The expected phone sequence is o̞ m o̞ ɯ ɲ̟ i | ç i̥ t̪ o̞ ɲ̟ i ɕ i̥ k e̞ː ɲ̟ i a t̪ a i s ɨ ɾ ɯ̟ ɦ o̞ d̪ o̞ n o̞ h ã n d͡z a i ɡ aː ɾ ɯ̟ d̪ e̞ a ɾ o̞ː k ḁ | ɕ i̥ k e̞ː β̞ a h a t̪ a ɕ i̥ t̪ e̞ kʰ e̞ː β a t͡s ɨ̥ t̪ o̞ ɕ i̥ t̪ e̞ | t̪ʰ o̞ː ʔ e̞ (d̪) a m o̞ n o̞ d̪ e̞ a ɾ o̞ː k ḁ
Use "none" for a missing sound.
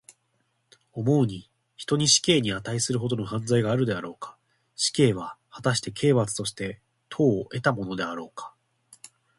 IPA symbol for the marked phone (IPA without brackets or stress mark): t̪